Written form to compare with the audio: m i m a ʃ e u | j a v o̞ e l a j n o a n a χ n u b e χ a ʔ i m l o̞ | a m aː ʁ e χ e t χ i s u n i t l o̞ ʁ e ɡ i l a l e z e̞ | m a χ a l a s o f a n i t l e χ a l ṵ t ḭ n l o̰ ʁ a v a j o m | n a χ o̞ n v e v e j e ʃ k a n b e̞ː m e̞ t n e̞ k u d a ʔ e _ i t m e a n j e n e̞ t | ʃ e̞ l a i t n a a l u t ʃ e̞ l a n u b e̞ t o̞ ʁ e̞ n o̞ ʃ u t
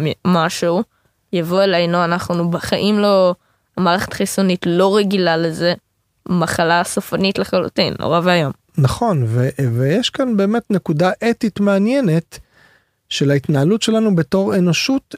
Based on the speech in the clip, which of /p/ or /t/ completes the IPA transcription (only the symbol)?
t